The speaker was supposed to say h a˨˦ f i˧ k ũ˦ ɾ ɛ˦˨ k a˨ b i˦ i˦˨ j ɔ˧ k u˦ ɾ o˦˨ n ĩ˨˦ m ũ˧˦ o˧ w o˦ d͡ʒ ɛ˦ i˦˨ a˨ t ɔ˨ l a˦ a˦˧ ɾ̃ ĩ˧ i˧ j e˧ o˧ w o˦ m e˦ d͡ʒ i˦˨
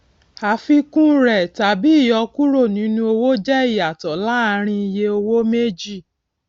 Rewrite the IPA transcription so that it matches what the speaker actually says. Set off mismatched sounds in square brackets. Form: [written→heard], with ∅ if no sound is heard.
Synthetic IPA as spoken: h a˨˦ f i˧ k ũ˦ ɾ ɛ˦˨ [k→t] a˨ b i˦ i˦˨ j ɔ˧ k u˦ ɾ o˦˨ n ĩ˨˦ [m→n] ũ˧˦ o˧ w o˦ d͡ʒ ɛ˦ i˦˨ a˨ t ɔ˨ l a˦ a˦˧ ɾ̃ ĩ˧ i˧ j e˧ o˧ w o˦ m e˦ d͡ʒ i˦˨